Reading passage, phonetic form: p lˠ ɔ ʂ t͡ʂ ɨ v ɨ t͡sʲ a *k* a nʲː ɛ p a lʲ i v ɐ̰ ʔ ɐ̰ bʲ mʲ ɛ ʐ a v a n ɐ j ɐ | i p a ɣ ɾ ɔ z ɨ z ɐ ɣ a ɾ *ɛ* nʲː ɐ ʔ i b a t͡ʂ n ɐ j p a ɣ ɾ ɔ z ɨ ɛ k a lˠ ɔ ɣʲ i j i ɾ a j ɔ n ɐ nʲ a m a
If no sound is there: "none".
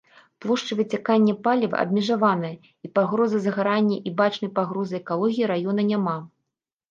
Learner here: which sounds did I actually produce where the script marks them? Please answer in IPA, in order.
k, a

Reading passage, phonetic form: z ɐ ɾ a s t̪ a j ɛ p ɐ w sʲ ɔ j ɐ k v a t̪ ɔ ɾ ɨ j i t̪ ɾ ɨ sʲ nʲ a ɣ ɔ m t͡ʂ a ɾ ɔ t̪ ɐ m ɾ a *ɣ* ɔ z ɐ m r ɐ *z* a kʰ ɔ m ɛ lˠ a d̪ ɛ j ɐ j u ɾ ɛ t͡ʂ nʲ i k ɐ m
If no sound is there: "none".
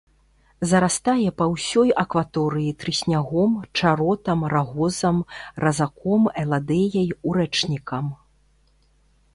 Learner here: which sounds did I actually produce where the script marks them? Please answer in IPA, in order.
ɣ, z

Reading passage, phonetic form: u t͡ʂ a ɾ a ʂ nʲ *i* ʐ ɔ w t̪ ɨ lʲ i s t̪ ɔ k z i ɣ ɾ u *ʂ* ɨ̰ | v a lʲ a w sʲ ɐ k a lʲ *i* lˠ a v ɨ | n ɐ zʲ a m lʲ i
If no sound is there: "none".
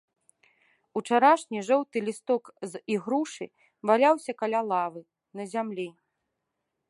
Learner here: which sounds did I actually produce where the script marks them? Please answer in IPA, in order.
i, ʂ, a

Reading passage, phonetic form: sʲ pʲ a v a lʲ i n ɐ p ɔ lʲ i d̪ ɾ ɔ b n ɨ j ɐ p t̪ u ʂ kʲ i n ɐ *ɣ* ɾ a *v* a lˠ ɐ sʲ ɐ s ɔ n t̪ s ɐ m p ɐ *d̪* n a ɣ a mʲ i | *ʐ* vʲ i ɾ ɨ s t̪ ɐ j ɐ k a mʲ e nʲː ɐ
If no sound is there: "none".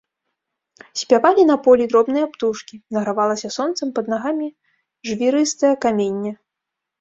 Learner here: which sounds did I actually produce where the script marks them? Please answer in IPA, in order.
ɣ, v, d̪, ʐ

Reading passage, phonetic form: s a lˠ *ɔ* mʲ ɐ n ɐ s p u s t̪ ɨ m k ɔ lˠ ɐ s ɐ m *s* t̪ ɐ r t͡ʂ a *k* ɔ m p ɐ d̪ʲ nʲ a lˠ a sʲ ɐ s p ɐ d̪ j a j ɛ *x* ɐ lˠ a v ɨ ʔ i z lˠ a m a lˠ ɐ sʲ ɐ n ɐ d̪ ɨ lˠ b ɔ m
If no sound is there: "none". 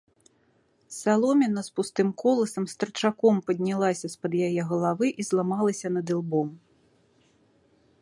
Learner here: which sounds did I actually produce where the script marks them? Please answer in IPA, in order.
ɔ, s, k, ɣ

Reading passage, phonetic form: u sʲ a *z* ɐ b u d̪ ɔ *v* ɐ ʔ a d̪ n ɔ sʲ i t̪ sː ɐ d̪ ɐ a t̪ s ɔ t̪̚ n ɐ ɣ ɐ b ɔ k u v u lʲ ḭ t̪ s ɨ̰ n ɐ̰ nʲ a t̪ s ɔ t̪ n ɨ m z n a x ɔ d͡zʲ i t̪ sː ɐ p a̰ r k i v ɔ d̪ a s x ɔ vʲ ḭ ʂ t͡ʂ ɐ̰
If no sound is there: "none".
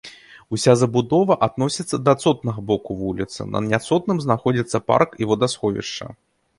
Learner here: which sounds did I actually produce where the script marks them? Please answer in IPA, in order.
z, v

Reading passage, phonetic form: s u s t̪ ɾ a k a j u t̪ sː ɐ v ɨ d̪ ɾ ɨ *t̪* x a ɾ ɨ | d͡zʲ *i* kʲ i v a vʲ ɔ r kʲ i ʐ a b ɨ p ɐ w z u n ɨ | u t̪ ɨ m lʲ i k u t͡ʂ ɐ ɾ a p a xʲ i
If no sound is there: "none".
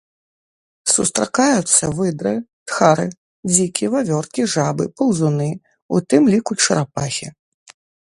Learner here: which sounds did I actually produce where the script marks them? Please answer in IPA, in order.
t̪, i

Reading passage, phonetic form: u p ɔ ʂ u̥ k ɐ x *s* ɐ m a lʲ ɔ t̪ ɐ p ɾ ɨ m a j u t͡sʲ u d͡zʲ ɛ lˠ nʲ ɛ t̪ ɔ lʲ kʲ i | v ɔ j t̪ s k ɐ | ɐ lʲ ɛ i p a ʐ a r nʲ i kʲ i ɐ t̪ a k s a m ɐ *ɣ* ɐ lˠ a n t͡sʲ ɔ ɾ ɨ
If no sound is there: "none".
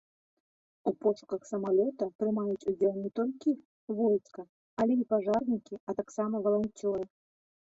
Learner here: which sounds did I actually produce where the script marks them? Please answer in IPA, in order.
s, v

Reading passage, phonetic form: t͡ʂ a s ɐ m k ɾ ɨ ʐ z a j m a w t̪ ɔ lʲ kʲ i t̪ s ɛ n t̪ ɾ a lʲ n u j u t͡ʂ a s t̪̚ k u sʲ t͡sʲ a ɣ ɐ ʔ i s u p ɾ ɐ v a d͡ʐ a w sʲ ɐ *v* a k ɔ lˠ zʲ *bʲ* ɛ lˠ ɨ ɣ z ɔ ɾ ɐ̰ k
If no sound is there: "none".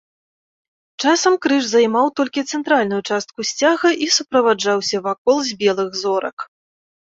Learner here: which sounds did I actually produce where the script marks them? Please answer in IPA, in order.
v, bʲ

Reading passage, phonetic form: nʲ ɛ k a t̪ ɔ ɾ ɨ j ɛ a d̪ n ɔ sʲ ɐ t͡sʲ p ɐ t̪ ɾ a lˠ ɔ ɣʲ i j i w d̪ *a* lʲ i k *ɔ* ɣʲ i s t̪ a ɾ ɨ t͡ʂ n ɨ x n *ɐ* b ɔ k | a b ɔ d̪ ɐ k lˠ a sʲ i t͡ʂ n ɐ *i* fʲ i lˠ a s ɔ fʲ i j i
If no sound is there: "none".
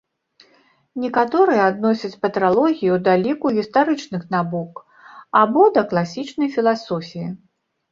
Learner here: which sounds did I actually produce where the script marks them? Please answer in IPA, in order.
a, u, a, j

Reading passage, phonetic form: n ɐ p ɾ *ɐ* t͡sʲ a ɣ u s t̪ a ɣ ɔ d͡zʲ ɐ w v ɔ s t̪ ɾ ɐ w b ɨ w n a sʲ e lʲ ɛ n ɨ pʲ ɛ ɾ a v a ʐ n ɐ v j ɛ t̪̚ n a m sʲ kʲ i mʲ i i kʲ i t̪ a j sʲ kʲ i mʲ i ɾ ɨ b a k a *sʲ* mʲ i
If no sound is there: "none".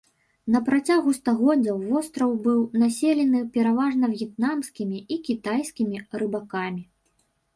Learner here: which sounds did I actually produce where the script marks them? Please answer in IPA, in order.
a, none

